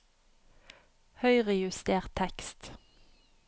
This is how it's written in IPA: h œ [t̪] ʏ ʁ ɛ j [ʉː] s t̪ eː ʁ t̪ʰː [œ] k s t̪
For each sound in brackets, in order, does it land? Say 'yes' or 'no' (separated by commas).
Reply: no, no, no